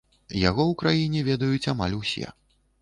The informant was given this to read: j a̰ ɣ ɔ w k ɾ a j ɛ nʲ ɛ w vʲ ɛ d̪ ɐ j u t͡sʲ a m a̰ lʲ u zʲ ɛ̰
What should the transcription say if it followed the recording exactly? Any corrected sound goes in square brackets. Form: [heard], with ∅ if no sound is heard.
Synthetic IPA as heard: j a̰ ɣ ɔ w k ɾ a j [i] nʲ ɛ [∅] vʲ ɛ d̪ ɐ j u t͡sʲ a m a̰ lʲ u [sʲ] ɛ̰